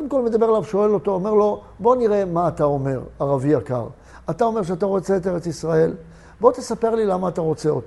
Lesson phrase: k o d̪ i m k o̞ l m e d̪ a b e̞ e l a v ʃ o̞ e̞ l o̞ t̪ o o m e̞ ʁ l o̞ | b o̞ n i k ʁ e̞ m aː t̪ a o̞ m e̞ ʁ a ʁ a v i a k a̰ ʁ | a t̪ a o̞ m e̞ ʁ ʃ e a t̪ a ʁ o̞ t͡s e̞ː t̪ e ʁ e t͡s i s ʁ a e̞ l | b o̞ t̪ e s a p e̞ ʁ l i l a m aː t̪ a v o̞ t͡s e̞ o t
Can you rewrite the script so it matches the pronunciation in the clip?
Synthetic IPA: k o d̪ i m k o̞ l m e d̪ a b e̞ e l a v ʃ o̞ e̞ l o̞ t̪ o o m e̞ ʁ l o̞ | b o̞ n i ʁ e̞ m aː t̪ a o̞ m e̞ ʁ a ʁ a v i a k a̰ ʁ | a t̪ a o̞ m e̞ ʁ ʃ e a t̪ a ʁ o̞ t͡s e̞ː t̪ e ʁ e t͡s i s ʁ a e̞ l | b o̞ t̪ e s a p e̞ ʁ l i l a m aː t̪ a ʁ o̞ t͡s e̞ o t